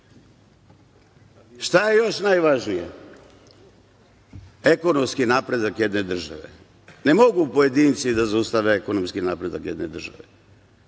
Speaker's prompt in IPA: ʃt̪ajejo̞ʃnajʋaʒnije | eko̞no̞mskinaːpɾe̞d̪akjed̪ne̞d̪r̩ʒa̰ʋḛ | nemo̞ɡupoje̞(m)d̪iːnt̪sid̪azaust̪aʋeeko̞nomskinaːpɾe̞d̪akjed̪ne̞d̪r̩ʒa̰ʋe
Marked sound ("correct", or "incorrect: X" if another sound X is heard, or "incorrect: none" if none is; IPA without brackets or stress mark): incorrect: none